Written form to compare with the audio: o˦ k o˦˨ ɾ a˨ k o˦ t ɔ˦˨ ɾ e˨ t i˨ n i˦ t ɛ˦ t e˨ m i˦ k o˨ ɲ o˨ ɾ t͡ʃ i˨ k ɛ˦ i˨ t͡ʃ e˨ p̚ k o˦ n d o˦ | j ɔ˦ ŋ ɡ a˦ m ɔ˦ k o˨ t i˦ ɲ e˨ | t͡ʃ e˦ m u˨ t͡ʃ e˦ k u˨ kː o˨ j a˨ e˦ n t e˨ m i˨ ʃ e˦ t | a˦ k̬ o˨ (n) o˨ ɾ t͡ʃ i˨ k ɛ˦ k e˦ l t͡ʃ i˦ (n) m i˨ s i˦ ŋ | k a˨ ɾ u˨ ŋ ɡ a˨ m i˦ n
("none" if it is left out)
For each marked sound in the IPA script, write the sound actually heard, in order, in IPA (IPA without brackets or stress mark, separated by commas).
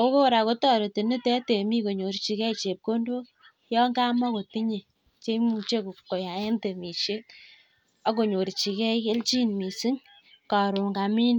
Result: ɲ, n